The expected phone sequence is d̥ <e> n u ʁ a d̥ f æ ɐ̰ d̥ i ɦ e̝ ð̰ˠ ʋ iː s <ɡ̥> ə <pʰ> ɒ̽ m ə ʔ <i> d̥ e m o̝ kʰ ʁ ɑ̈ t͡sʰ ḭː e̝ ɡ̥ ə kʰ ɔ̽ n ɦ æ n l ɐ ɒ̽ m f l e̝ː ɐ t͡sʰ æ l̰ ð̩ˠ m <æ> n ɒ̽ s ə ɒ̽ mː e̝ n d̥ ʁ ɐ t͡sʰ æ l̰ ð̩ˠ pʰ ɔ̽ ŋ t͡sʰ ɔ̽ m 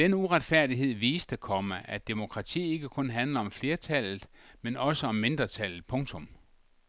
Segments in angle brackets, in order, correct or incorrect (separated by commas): correct, incorrect, incorrect, incorrect, incorrect